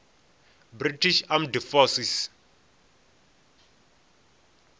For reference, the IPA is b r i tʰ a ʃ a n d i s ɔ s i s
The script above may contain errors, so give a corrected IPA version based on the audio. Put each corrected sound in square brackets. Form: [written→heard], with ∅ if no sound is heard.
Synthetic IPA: b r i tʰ [a→i] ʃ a [n→m] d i [s→f] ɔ s i s